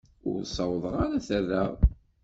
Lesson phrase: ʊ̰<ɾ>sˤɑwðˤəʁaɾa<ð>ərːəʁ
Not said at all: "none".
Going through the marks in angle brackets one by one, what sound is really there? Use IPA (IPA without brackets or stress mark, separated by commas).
ɾ, θ